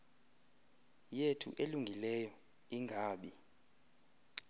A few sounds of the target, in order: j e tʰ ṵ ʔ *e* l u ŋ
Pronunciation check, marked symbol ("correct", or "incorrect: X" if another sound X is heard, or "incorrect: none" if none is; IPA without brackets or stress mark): correct